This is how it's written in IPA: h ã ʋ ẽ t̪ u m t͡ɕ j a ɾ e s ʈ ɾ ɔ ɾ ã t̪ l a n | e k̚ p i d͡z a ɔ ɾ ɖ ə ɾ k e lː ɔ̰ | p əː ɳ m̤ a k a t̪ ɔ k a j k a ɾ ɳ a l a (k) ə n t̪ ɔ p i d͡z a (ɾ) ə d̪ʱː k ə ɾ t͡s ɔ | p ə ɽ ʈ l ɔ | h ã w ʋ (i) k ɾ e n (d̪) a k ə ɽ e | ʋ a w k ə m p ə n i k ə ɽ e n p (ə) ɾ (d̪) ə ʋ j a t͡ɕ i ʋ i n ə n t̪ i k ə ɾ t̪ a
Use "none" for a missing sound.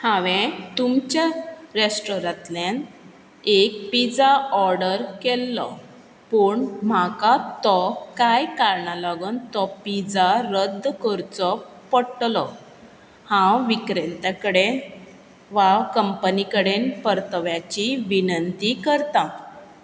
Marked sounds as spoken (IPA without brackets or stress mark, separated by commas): ɡ, ɾ, i, t̪, ə, t̪